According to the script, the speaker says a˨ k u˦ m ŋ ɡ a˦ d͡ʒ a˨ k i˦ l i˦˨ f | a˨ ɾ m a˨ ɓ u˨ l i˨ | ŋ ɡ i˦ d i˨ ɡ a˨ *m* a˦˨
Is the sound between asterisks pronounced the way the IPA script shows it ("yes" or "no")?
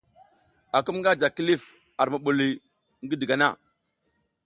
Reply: no